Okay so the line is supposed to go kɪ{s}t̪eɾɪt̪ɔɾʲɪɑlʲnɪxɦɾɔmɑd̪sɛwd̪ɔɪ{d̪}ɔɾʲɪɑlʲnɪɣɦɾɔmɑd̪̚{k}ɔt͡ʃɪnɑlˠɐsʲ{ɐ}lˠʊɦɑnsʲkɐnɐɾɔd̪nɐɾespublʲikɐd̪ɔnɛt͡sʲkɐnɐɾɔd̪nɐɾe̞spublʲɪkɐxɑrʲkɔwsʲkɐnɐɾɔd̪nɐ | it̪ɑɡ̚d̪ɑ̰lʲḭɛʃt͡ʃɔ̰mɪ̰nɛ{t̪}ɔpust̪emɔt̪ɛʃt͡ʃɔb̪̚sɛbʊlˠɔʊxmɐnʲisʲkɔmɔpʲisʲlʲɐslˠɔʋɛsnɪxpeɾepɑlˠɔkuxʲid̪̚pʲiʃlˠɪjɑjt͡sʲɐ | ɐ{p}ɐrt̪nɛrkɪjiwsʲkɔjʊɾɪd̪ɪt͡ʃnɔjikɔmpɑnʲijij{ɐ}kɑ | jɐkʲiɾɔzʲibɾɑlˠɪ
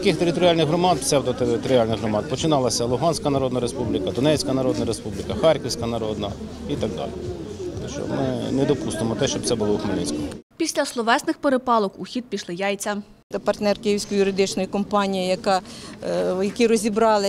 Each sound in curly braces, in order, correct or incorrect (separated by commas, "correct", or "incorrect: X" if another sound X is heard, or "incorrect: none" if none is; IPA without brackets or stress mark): incorrect: x, incorrect: t̪, incorrect: p, correct, incorrect: d̪, correct, correct